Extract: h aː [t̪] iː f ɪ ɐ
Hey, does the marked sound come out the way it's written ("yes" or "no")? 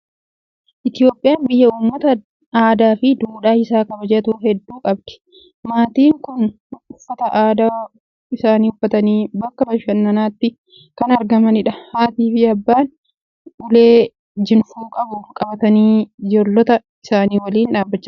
yes